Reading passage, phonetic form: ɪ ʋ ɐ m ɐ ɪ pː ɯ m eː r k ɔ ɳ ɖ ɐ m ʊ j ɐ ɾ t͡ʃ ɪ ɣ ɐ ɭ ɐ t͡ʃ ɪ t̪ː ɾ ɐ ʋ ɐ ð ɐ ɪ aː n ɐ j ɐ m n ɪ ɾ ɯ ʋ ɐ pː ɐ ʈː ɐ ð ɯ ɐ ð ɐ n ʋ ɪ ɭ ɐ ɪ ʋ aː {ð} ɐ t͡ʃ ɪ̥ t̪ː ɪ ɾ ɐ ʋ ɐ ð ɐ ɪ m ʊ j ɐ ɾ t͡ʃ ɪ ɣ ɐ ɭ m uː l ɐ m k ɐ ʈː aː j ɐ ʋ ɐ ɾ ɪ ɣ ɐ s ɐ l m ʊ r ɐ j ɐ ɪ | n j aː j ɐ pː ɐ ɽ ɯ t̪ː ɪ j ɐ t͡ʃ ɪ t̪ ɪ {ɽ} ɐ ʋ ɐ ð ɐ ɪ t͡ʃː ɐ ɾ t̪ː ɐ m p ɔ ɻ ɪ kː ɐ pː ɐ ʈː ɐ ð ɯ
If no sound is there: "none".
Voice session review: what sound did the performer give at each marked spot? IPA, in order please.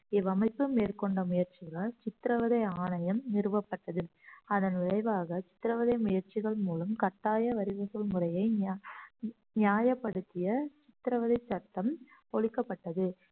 ɣ, ɾ

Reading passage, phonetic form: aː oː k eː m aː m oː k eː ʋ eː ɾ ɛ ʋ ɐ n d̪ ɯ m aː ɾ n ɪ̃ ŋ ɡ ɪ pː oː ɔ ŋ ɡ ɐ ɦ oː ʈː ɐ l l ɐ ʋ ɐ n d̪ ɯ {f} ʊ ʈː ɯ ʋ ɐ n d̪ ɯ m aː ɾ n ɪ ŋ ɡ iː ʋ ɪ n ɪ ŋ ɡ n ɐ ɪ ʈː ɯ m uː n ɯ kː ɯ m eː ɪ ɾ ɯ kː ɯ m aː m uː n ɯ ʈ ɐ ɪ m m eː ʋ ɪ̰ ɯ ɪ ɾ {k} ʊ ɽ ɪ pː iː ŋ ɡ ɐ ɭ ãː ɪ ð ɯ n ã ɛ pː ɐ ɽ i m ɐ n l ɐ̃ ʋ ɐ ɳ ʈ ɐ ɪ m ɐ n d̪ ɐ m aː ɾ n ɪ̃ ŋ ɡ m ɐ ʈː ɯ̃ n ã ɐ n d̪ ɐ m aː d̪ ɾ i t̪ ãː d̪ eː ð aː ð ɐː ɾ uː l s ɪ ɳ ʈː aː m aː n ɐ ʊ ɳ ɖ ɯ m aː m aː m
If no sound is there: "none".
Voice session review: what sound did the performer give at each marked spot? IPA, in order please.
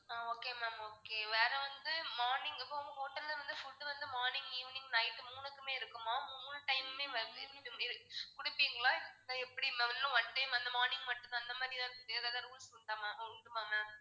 f, k

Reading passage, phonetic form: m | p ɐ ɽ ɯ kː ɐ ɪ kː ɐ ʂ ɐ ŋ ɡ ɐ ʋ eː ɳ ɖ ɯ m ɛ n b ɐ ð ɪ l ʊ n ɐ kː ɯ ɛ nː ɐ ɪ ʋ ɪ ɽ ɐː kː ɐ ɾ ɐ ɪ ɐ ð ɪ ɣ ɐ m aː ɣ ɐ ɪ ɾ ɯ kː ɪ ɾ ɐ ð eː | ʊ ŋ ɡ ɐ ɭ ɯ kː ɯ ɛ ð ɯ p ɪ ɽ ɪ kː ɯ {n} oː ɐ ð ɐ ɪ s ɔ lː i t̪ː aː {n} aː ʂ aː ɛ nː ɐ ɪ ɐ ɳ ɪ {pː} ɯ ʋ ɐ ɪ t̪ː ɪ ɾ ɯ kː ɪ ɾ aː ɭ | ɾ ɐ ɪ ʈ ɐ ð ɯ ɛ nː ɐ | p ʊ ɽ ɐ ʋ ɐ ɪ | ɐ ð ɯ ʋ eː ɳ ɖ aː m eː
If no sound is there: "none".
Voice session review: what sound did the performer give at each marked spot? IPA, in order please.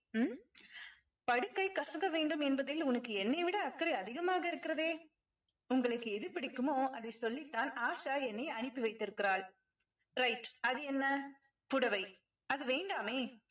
m, n, pː

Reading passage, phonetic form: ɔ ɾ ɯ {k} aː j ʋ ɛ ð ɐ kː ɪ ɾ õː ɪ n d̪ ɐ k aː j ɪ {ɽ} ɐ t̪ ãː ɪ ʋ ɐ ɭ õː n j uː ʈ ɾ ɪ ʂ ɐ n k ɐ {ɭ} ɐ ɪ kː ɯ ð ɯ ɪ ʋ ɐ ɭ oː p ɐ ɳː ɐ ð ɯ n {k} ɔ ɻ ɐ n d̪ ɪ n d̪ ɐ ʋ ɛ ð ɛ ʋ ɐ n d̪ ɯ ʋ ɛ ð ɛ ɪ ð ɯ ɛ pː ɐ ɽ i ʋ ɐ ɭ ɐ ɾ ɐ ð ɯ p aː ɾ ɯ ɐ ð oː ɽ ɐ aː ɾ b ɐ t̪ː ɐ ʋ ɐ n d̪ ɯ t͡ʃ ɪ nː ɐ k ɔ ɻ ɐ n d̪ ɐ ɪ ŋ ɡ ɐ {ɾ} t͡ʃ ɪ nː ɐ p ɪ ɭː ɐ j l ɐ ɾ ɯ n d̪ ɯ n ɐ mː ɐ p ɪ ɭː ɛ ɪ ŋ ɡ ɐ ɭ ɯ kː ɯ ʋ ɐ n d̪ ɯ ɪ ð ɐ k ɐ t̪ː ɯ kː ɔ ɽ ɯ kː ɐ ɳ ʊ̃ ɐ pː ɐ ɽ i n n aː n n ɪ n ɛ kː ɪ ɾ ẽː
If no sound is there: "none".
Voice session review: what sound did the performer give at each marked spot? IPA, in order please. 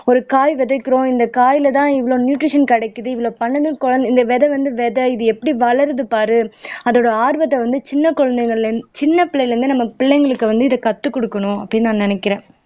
k, l, ɽ, k, ɭ

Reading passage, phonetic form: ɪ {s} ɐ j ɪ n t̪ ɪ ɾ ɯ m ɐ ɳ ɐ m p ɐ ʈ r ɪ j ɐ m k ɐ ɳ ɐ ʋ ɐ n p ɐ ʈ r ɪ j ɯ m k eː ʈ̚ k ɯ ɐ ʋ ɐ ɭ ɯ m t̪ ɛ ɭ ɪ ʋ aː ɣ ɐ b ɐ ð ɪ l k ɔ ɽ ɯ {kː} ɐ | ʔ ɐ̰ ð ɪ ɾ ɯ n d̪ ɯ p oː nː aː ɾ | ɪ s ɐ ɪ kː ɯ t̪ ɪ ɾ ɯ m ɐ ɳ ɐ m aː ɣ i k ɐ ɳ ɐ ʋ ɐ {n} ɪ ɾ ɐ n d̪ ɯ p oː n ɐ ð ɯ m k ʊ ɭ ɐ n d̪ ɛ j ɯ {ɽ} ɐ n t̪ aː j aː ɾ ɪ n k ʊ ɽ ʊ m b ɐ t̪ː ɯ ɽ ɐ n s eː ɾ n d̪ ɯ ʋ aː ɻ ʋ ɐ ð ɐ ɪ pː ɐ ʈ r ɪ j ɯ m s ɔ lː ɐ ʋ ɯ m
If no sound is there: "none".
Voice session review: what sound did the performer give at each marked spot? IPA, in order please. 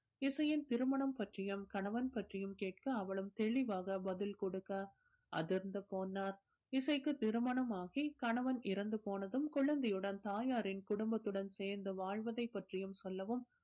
s, kː, n, ɽ

